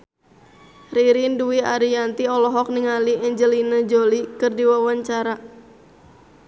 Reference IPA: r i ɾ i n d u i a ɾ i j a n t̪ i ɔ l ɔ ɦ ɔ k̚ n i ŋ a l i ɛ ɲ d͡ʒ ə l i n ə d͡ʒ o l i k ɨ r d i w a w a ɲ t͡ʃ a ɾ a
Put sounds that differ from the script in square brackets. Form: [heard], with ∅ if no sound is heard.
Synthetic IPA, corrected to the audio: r i ɾ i n d u i a ɾ i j a n t̪ i ɔ l ɔ ɦ ɔ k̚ n i ŋ a l i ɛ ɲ d͡ʒ ə l i n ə d͡ʒ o l i k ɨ r d i w a w a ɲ t͡ʃ a ɾ a